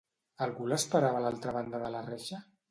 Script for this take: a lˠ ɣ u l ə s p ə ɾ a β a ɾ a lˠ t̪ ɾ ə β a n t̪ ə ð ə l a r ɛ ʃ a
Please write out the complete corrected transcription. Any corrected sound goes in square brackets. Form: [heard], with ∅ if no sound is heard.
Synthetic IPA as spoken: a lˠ ɣ u l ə s p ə ɾ a β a [l] a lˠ t̪ ɾ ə β a n [d̪] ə ð ə l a r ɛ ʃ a